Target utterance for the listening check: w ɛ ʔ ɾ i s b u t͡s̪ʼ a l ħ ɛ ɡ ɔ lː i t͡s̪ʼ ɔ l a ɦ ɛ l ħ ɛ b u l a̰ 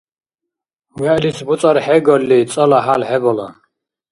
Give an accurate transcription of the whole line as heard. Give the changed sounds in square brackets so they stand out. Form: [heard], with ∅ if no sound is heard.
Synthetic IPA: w ɛ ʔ [l] i s b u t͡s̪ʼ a [ɾ] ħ ɛ ɡ ɔ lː i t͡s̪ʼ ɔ l a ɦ [a] l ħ ɛ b [ɔ] l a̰